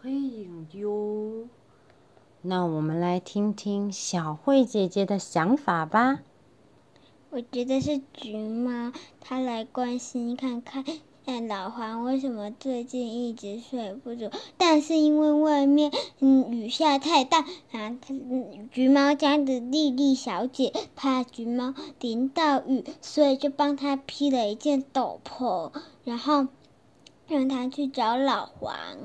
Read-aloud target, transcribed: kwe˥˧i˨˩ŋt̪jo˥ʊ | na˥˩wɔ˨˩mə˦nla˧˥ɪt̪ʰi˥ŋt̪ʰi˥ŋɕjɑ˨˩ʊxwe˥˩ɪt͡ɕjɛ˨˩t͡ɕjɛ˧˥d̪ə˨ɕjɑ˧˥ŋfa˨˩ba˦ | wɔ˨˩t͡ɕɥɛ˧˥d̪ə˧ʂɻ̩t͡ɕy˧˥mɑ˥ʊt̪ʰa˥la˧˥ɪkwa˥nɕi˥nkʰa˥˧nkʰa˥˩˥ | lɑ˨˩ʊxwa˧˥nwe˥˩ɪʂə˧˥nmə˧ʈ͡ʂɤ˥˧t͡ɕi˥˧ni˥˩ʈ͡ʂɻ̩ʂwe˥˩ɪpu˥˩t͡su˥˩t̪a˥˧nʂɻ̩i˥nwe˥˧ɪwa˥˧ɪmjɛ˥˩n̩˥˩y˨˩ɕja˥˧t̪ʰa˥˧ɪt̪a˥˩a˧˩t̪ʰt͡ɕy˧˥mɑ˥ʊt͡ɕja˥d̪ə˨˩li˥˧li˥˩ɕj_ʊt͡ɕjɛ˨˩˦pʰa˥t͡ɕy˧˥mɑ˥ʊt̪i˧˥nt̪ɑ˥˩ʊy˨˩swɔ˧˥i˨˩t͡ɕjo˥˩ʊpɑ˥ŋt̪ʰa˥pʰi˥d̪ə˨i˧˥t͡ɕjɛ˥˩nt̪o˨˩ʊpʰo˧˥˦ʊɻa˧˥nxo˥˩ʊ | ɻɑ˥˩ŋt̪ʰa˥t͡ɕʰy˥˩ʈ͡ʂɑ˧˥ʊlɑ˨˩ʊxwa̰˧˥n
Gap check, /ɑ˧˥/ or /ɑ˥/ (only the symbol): ɑ˧˥